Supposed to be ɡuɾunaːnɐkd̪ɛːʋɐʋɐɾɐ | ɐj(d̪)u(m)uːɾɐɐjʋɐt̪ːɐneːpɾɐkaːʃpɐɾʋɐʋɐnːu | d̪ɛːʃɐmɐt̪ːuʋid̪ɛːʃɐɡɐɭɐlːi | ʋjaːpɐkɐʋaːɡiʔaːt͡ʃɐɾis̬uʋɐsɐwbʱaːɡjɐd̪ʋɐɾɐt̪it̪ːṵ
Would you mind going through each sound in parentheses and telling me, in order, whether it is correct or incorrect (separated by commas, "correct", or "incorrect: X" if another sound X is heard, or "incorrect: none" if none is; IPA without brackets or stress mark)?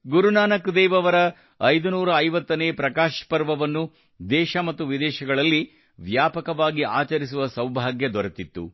correct, incorrect: n